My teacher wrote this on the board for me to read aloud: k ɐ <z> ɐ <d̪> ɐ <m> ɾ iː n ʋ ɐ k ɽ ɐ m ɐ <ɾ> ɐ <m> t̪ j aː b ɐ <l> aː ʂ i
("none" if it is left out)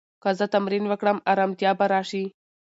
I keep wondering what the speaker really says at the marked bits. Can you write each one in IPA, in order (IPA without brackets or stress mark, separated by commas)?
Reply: z, t̪, m, ɾ, m, ɾ